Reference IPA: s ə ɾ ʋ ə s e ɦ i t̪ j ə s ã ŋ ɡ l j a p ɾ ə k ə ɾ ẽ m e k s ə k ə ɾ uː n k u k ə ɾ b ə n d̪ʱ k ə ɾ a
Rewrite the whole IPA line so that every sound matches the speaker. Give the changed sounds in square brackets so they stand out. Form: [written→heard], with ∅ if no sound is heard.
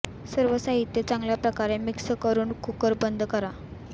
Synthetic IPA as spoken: s ə ɾ ʋ ə s [e→a] ɦ i t̪ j ə [s→t͡s] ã ŋ ɡ l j a p ɾ ə k [ə→a] ɾ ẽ m [e→i] k s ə k ə ɾ uː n k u k ə ɾ b ə n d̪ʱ k ə ɾ a